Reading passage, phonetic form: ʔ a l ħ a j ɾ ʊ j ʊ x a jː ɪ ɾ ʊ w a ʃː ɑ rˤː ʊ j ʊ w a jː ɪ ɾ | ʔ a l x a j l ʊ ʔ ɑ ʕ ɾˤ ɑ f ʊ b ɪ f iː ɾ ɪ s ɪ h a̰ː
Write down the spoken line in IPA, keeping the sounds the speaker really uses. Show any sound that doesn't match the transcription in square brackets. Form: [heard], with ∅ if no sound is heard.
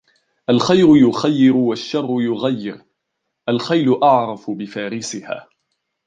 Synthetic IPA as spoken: ʔ a l [x] a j ɾ ʊ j ʊ x a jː ɪ ɾ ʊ w a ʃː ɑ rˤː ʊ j ʊ [ɣ] a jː ɪ ɾ | ʔ a l x a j l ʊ ʔ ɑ ʕ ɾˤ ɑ f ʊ b ɪ f [aː] ɾ ɪ s ɪ h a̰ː